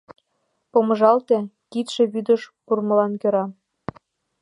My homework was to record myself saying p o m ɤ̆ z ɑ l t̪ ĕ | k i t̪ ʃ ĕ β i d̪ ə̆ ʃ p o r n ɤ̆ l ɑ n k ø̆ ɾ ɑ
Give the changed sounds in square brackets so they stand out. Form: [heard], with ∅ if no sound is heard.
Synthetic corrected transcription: p o m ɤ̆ [ʒ] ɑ l t̪ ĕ | k i t̪ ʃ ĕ β [y] d̪ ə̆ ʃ p [u] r [m] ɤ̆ l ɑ n k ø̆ ɾ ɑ